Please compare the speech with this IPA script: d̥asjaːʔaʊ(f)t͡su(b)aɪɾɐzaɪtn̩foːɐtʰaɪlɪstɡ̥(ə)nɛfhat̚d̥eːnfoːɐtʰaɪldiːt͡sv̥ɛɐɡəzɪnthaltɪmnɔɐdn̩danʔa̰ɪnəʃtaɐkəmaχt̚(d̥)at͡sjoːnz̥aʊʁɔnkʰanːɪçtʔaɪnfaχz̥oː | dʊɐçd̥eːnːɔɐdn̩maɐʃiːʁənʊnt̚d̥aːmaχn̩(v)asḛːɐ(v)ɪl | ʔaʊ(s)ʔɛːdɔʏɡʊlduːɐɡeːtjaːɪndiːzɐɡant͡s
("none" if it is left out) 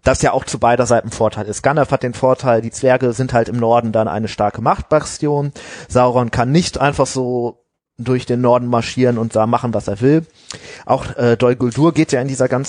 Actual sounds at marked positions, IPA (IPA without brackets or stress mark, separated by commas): x, b, a, b̥, v, v, x